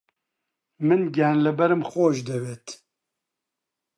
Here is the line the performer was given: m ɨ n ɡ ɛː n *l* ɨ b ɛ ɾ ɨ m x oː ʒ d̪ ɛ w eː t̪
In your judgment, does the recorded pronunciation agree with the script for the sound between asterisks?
yes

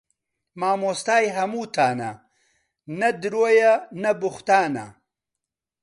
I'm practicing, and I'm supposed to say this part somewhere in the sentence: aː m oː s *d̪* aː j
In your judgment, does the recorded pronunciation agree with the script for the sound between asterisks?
no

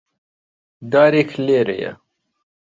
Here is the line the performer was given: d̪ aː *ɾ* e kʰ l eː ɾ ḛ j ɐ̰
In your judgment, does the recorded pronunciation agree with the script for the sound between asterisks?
yes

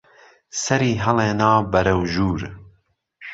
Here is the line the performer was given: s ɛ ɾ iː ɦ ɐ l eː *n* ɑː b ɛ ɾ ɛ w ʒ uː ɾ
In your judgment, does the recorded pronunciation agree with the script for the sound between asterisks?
yes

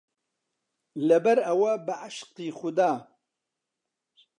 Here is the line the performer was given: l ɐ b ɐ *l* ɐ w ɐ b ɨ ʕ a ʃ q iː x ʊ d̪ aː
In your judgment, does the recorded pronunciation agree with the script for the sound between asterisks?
no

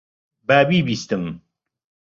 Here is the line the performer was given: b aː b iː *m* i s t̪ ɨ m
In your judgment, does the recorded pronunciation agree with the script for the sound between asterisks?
no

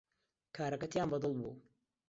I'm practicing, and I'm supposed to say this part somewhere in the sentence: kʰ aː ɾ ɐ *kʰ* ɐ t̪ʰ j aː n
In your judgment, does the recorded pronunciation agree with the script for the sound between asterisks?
no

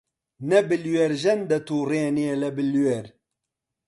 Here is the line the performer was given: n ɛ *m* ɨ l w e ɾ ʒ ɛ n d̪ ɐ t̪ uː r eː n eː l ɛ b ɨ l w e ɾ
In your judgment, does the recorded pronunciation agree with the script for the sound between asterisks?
no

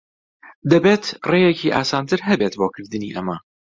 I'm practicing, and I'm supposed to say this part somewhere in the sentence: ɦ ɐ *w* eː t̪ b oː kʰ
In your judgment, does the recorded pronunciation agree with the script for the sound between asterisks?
no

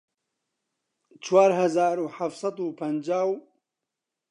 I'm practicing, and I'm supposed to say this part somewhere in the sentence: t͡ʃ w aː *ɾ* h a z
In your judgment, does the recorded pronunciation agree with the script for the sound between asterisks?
yes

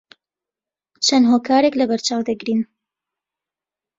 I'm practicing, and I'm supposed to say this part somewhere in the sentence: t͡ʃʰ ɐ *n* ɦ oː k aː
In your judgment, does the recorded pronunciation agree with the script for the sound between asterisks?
yes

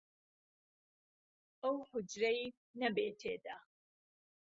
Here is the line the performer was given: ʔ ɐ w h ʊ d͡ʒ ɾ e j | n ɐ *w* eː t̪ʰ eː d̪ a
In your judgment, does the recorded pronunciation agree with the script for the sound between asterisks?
no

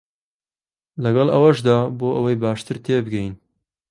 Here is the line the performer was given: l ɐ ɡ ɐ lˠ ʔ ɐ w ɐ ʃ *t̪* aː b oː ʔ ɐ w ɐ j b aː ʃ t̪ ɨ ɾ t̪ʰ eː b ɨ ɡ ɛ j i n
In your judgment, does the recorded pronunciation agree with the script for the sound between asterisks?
no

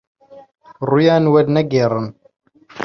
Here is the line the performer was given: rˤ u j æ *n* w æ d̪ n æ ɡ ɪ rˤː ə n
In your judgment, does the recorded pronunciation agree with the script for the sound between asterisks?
yes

